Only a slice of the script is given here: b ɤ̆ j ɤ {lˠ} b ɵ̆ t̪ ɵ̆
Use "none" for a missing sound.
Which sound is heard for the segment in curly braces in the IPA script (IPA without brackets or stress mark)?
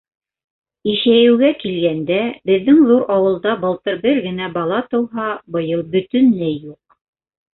lˠ